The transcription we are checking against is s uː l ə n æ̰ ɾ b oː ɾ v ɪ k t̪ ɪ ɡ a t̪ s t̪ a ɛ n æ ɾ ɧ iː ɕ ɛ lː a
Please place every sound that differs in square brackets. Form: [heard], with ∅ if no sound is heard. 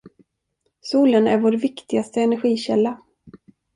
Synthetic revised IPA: s uː l ə n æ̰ ɾ [v] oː ɾ v ɪ k t̪ ɪ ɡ a [∅] s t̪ [ə] ɛ n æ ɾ ɧ iː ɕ ɛ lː a